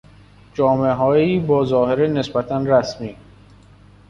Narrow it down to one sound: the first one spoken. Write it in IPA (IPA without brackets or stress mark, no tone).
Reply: d͡ʒ